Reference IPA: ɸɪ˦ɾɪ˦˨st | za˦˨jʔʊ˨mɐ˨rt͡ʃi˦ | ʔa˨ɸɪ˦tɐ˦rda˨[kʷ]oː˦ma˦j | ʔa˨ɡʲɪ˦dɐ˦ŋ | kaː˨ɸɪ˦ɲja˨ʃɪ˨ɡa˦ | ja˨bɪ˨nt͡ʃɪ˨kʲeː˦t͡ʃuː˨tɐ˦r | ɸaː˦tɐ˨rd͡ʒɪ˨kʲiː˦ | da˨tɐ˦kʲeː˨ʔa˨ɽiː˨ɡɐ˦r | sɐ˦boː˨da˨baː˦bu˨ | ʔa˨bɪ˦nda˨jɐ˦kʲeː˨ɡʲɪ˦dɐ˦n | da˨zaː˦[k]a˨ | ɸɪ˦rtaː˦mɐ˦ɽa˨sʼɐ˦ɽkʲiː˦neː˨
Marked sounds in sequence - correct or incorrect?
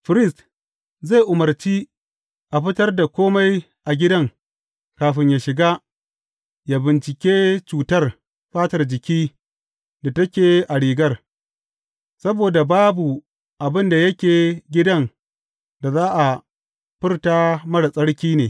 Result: correct, incorrect

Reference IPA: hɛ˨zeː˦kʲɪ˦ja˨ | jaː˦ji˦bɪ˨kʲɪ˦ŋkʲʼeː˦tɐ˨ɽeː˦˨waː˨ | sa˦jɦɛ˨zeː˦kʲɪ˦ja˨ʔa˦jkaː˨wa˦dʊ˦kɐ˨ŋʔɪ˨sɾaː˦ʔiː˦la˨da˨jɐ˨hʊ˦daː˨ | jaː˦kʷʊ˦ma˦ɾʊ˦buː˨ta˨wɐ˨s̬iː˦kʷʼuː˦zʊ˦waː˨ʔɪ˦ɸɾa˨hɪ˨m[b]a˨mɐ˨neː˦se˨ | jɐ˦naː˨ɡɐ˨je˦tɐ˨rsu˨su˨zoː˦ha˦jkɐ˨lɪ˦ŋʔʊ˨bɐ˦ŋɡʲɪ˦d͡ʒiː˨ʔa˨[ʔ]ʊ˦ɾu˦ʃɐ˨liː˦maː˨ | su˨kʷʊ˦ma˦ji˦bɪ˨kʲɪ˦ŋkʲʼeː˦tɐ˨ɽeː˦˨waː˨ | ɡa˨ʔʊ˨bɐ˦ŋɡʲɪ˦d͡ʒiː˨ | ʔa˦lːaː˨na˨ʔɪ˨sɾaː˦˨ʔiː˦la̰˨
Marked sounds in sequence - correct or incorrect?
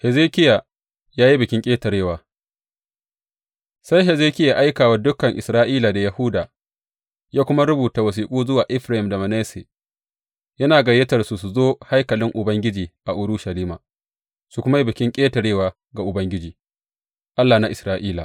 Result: incorrect, correct

